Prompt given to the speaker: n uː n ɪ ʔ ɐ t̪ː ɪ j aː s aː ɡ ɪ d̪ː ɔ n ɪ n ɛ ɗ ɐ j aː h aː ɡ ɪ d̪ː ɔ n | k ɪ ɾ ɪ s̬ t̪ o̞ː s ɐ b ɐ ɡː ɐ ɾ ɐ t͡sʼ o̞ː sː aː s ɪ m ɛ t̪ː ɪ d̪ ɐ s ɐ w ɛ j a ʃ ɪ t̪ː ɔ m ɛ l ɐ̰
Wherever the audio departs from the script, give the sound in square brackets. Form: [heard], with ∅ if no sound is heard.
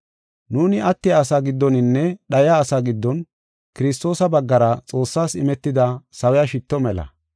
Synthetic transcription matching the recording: n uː n ɪ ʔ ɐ t̪ː ɪ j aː s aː ɡ ɪ d̪ː ɔ n ɪ [nː] ɛ ɗ ɐ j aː [s] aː ɡ ɪ d̪ː ɔ n | k ɪ ɾ ɪ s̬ t̪ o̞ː s ɐ b ɐ ɡː ɐ ɾ ɐ t͡sʼ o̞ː sː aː s ɪ m ɛ t̪ː ɪ d̪ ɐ s ɐ w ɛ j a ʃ ɪ t̪ː ɔ m ɛ l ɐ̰